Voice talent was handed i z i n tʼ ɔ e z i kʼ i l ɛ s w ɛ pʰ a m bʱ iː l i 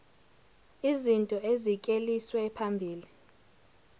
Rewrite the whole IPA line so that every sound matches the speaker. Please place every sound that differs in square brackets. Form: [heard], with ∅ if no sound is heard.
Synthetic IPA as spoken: i z i n tʼ ɔ e z i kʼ [e] l [i] s w ɛ pʰ a m bʱ iː l i